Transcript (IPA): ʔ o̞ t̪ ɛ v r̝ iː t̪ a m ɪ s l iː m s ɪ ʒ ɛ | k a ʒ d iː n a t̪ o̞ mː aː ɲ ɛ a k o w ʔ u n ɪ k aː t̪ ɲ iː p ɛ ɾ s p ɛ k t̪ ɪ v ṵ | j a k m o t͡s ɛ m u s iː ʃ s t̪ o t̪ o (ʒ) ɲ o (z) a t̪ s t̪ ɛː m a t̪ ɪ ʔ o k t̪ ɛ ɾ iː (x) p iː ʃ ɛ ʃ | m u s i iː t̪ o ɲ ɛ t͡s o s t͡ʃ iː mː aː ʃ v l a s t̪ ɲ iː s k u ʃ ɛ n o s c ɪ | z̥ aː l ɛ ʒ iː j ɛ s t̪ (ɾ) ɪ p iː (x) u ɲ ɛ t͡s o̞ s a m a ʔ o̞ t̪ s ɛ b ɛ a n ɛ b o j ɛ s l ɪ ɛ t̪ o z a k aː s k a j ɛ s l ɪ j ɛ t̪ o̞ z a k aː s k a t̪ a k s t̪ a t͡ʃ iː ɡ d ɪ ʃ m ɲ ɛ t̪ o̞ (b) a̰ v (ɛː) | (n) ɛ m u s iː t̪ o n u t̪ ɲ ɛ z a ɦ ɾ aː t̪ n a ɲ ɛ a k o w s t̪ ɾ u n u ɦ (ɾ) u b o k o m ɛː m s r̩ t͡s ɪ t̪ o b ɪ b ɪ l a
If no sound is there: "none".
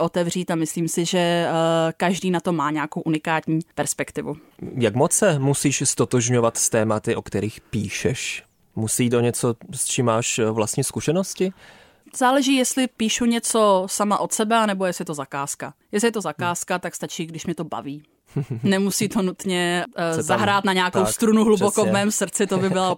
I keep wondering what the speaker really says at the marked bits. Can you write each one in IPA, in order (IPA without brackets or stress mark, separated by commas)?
ʒ, v, x, l, ʃ, b, iː, n, l